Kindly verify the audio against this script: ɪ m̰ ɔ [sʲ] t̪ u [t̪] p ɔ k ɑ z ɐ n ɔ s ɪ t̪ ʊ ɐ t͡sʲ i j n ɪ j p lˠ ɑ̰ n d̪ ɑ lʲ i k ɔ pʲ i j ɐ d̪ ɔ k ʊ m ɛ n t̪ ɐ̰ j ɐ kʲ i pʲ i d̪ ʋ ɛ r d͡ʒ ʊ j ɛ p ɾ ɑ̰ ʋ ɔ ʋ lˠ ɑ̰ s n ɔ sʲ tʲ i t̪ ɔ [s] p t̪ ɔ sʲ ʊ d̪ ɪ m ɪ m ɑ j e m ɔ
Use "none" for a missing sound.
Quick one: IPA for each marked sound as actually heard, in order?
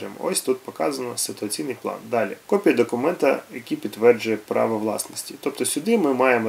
sʲ, t̪, none

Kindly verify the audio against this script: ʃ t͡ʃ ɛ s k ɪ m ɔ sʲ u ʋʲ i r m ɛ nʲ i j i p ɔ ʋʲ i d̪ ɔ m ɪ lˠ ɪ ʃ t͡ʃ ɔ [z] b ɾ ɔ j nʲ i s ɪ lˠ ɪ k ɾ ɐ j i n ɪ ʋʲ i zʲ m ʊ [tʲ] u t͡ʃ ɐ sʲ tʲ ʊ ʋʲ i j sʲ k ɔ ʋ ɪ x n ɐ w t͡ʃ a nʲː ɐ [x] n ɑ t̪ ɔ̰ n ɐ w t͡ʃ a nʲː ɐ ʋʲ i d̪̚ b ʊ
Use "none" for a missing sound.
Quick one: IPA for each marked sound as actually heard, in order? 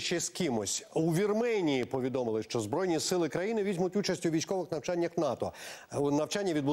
z, tʲ, x

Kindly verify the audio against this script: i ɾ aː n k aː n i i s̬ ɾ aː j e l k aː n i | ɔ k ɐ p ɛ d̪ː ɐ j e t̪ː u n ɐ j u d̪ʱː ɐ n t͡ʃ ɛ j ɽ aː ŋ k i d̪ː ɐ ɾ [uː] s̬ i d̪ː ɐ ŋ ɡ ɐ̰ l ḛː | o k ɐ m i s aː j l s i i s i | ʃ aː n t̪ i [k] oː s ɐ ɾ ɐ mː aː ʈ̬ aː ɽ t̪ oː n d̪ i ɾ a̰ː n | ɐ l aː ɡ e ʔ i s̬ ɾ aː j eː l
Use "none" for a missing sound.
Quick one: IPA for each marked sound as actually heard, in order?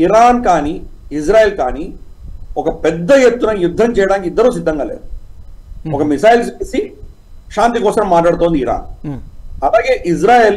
uː, k

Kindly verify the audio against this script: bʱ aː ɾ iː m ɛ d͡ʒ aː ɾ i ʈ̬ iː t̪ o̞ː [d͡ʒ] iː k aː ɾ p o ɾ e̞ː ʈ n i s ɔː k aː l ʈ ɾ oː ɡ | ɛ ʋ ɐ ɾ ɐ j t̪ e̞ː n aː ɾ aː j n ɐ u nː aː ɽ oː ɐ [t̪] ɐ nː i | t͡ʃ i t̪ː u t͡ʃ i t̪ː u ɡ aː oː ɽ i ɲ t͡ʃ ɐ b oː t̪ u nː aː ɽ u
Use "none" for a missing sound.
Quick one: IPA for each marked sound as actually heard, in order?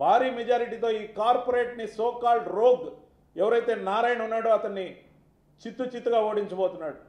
none, t̪

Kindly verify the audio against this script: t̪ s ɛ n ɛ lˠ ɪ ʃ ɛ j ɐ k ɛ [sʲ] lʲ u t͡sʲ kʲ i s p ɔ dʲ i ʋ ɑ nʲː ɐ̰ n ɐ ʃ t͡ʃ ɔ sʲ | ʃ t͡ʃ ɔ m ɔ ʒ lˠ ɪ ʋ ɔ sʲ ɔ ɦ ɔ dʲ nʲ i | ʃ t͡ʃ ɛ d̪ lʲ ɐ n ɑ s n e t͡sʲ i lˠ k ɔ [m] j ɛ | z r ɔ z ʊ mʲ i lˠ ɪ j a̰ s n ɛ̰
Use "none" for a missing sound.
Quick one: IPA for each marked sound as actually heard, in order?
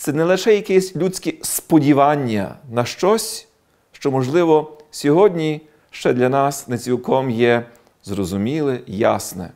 sʲ, m

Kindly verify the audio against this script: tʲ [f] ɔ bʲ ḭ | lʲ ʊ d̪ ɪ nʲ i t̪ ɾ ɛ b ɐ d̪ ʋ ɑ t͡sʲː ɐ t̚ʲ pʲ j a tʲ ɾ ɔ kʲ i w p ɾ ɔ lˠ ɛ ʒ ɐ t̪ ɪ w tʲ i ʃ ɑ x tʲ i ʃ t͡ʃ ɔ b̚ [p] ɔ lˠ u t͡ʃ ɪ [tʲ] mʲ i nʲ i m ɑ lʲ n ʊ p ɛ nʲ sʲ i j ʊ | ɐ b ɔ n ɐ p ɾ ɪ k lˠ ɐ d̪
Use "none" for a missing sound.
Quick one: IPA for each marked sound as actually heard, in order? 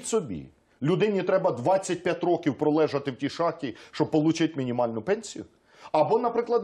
s, p, tʲ

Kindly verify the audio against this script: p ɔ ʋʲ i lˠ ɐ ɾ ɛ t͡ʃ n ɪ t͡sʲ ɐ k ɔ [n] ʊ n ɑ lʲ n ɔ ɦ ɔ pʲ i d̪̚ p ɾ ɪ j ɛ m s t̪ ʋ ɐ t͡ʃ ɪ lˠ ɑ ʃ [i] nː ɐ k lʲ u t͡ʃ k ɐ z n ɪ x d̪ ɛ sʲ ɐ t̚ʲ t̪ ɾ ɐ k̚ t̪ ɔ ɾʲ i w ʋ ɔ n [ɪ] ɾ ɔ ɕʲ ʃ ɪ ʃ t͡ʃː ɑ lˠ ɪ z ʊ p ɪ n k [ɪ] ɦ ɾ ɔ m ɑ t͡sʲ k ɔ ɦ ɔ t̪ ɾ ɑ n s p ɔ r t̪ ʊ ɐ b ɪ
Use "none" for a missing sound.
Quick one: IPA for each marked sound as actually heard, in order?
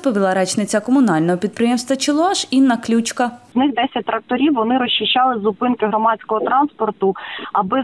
m, i, ɪ, ɪ

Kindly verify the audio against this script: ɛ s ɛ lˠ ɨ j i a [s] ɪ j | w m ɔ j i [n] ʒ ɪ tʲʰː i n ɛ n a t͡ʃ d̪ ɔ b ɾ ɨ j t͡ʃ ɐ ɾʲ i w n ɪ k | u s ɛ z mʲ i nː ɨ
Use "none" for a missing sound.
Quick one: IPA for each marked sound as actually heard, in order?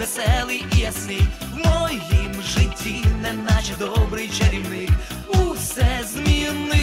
s, m

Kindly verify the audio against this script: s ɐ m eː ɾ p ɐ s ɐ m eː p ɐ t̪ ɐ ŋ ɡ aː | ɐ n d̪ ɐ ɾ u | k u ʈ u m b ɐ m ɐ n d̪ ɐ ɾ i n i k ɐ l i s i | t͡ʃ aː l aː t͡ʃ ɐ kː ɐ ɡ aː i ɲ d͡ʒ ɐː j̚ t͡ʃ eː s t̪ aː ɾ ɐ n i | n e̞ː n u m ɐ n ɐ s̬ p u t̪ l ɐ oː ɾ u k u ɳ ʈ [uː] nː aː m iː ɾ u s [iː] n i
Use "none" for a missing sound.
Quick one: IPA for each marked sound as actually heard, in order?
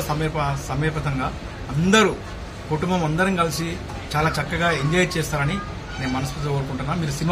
u, i

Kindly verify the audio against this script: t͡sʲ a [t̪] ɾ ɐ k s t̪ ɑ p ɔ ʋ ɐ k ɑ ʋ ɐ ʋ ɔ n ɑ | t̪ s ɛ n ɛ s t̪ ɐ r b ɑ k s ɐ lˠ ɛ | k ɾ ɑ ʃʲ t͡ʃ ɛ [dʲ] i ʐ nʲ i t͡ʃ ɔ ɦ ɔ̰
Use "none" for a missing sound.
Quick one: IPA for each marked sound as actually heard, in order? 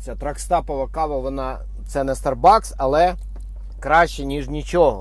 t̪, nʲ

